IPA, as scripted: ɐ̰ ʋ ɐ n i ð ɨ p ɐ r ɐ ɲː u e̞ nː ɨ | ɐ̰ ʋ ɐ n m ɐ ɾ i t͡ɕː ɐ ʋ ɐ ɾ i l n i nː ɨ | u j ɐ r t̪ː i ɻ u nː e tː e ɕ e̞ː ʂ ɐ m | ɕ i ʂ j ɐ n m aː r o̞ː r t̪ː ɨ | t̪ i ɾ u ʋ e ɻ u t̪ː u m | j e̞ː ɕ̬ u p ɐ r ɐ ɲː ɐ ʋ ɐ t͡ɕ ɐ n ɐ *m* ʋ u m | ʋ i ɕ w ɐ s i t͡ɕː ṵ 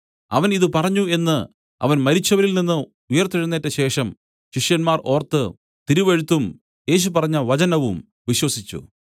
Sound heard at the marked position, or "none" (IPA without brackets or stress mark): none